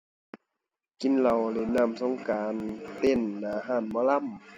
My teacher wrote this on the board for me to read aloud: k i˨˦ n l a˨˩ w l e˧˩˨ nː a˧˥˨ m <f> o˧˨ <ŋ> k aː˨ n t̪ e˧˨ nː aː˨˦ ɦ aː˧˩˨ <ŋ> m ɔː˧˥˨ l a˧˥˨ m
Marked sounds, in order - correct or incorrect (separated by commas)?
incorrect, correct, incorrect